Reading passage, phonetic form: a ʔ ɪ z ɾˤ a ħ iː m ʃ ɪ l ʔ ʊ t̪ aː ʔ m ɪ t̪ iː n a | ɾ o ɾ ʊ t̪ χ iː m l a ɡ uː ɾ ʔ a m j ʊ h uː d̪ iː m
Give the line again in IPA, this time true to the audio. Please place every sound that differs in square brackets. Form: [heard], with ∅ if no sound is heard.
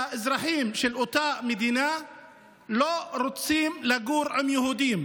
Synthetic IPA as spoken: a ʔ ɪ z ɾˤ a ħ iː m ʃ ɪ l ʔ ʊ t̪ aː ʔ m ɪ [d̪] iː n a | [l] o ɾ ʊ t̪ [s] iː m l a ɡ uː ɾ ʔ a m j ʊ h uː d̪ iː m